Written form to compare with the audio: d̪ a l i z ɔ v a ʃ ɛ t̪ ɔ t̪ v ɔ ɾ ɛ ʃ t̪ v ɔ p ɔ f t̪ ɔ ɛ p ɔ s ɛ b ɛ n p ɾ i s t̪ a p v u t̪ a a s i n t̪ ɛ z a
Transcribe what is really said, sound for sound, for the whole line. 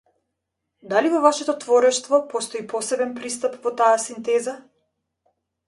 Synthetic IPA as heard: d̪ a l i v ɔ v a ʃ ɛ t̪ ɔ t̪ v ɔ ɾ ɛ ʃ t̪ v ɔ p ɔ s t̪ ɔ i p ɔ s ɛ b ɛ n p ɾ i s t̪ a p v ɔ t̪ a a s i n t̪ ɛ z a